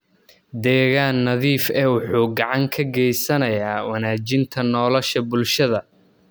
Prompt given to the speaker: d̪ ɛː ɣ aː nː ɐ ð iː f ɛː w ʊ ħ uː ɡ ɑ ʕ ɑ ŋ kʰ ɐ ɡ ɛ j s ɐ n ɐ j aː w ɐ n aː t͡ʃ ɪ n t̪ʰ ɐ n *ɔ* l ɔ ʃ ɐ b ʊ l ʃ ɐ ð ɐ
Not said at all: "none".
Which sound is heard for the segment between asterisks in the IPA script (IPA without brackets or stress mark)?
ɔː